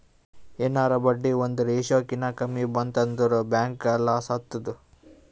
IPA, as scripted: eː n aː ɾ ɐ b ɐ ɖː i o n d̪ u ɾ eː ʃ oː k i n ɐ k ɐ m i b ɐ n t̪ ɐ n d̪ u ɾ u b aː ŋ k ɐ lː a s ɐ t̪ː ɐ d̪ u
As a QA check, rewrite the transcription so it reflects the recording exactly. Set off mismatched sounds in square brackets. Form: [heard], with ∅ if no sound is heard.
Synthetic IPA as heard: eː n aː ɾ ɐ b ɐ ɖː i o n d̪ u ɾ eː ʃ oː k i n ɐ k ɐ m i b ɐ n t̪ ɐ n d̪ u ɾ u b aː ŋ k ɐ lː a s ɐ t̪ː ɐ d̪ u